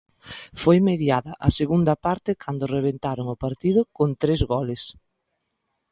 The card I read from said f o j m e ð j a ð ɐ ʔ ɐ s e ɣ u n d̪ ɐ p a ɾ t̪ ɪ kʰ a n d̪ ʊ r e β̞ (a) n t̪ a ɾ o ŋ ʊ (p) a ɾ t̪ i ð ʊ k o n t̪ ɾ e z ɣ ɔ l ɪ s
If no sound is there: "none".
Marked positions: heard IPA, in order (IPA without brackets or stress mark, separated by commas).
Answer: e, p